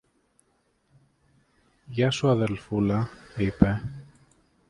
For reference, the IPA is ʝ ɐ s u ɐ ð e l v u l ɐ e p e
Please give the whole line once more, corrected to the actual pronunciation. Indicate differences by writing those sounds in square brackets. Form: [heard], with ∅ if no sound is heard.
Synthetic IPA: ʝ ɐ s u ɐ ð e l [f] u l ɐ [i] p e